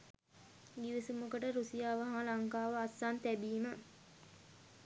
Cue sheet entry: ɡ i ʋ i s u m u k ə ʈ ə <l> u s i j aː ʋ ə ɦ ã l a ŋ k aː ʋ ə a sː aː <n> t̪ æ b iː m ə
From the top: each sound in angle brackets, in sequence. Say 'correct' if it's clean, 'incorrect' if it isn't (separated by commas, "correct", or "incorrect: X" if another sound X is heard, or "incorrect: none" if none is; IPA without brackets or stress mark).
incorrect: ɾ, correct